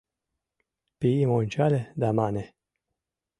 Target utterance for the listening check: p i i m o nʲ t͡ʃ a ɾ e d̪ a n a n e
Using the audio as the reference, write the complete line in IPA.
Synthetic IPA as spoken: p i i m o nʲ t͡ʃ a l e d̪ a m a n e